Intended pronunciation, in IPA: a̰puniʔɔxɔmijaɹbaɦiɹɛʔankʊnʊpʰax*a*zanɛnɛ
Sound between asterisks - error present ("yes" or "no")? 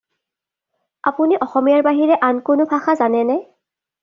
no